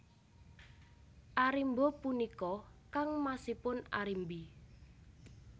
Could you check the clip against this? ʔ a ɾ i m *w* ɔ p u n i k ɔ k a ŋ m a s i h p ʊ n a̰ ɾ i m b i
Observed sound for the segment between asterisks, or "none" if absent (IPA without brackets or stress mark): b